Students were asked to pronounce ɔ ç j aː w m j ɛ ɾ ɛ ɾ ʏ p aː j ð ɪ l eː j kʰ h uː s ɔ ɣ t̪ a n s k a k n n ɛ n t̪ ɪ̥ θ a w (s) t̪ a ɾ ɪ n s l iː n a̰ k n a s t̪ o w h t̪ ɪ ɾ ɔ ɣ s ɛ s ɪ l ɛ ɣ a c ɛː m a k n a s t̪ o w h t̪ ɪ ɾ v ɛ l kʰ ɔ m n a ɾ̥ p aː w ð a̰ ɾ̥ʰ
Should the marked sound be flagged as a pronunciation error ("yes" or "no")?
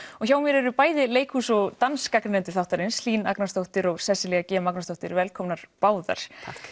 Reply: yes